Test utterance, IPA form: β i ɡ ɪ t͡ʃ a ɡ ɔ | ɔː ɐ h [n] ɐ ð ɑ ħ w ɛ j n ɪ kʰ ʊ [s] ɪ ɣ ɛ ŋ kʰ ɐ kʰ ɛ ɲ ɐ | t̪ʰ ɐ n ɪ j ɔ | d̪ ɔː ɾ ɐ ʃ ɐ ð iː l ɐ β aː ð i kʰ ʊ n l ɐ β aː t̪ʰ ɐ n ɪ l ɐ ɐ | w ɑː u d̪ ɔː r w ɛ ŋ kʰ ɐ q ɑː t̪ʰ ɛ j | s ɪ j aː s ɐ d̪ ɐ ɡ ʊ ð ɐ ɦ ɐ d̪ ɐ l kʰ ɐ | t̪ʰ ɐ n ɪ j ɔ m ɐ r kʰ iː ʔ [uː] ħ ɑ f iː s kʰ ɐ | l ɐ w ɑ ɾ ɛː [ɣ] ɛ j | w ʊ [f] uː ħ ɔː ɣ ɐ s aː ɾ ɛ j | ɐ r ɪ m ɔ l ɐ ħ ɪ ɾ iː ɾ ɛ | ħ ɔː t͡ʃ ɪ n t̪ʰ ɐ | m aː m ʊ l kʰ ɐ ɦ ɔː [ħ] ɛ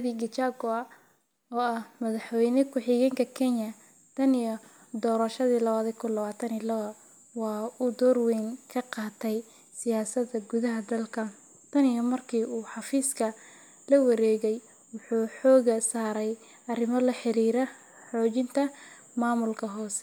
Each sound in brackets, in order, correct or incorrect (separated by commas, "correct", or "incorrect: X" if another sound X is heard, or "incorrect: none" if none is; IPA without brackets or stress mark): incorrect: m, incorrect: ħ, correct, correct, incorrect: ħ, incorrect: s